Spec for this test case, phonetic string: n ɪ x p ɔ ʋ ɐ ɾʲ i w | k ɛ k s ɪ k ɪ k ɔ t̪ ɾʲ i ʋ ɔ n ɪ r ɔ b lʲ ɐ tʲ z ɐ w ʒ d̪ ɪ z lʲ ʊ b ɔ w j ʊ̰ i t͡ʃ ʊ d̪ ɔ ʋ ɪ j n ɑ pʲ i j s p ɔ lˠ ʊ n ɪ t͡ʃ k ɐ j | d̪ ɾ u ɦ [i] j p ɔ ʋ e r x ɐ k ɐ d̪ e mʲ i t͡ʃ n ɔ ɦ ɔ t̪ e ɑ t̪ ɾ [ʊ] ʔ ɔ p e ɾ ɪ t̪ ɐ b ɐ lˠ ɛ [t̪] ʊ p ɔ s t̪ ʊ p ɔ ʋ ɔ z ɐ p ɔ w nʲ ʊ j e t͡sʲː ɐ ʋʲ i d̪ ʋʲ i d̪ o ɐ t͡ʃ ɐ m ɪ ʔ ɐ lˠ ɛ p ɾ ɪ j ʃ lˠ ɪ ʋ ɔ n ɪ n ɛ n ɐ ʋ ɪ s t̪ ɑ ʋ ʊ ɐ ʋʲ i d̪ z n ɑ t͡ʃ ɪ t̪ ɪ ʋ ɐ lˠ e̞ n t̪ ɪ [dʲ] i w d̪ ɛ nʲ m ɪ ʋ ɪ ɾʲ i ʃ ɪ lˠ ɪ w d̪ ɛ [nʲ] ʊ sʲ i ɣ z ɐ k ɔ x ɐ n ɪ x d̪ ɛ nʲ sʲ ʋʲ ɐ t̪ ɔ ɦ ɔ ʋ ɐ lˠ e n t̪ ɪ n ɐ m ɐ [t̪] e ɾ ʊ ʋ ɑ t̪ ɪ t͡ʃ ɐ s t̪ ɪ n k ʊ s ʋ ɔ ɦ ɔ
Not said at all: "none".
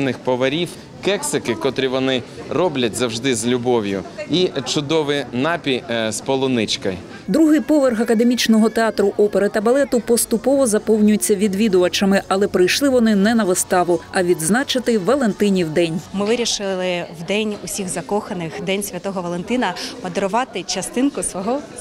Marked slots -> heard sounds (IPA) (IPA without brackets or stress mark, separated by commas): ɪ, ʊ, t̪, nʲ, nʲ, d̪